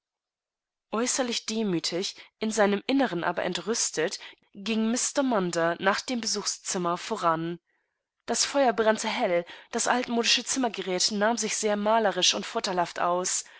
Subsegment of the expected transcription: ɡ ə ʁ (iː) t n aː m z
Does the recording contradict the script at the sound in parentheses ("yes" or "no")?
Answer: yes